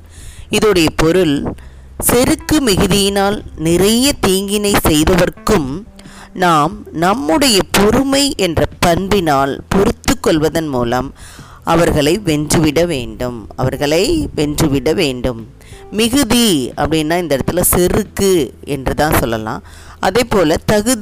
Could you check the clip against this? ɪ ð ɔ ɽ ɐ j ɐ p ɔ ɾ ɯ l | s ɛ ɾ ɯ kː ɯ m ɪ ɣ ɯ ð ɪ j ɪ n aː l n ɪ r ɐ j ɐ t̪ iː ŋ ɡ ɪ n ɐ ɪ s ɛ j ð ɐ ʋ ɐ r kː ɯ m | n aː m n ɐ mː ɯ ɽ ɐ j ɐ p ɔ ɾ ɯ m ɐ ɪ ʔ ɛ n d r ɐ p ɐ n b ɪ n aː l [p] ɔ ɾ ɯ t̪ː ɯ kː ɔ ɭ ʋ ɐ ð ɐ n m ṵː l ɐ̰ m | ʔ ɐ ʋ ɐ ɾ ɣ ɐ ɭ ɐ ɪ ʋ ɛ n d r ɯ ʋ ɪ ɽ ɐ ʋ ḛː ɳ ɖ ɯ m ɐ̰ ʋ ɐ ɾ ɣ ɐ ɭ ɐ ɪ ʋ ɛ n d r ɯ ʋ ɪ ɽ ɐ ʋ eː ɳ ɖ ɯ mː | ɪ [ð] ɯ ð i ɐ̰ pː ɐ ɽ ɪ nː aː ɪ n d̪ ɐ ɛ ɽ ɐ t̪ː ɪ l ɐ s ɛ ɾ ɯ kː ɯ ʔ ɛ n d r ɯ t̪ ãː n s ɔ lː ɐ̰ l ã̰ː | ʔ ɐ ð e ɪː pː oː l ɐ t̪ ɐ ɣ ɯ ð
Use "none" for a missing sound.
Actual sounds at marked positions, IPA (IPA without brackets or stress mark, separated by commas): p, ɣ